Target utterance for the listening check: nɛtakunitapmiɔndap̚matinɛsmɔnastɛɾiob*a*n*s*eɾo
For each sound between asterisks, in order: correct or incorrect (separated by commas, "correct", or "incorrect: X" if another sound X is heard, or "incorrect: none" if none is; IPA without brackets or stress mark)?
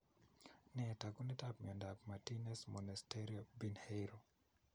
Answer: incorrect: i, incorrect: h